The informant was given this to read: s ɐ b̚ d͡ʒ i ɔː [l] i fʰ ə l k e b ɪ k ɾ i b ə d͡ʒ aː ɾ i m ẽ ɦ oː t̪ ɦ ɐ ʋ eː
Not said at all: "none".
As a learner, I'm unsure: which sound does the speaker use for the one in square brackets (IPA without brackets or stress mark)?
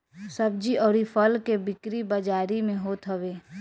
ɾ